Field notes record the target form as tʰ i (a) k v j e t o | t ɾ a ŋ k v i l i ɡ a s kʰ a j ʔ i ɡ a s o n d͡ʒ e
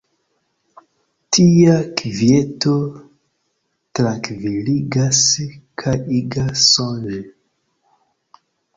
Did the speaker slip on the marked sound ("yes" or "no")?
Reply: no